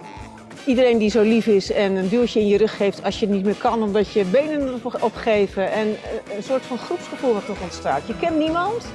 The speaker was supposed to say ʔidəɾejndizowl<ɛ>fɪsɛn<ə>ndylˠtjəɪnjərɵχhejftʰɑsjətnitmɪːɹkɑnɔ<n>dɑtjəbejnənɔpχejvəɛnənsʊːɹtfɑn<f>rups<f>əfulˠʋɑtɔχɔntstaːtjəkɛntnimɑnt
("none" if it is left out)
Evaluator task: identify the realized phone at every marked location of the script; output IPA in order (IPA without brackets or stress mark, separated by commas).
i, ə, m, χ, χ